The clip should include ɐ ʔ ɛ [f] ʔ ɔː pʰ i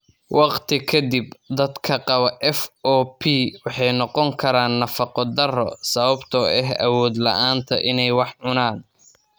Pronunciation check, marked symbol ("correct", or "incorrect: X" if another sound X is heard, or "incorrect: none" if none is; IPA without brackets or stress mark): correct